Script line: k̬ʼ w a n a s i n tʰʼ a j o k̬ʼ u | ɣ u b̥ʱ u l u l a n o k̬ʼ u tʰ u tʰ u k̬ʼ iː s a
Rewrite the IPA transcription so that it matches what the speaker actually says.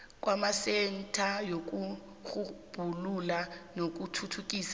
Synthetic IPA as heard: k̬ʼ w a m a s ɛ n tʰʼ a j o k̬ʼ u | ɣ u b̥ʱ u l u l a n o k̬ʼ u tʰ u tʰ u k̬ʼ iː s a